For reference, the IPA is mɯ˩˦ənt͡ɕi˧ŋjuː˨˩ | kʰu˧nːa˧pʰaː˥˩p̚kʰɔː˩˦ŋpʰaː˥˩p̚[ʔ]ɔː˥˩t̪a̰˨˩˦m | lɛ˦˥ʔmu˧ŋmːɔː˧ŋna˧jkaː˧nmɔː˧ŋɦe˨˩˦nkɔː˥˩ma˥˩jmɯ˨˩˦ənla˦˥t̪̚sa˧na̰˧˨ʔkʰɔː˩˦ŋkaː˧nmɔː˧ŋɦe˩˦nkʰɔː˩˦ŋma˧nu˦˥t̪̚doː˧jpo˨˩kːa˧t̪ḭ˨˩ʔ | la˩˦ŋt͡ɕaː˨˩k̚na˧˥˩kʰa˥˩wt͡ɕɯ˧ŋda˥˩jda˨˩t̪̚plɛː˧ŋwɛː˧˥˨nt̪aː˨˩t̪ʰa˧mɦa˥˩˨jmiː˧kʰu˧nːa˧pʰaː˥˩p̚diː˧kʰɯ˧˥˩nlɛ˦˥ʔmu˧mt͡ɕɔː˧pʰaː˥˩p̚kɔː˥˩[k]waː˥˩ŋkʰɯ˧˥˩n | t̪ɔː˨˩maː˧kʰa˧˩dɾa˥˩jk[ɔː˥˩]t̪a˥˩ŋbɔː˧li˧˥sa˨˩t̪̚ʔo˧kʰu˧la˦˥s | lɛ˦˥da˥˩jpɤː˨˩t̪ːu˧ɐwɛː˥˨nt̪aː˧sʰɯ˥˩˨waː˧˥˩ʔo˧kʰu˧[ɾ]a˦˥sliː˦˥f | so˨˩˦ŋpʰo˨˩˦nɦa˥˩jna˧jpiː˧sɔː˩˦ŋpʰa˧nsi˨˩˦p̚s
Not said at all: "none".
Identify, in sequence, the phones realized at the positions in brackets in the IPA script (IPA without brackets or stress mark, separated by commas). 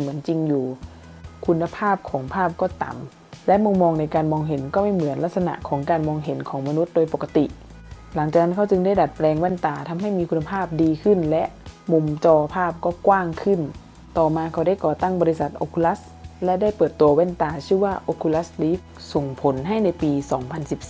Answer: k, k, ɔː˨˩, l